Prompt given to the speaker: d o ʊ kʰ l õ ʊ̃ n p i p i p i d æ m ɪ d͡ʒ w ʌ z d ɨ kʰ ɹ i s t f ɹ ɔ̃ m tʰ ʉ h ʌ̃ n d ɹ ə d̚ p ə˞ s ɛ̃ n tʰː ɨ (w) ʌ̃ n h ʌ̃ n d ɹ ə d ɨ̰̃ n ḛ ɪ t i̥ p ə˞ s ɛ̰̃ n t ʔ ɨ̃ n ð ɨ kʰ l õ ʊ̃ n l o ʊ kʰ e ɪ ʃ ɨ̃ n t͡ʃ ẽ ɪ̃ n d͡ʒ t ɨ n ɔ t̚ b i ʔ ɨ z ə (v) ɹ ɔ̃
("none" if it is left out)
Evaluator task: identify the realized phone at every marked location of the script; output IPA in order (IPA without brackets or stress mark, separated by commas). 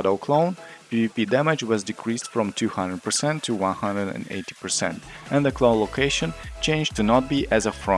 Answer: w, f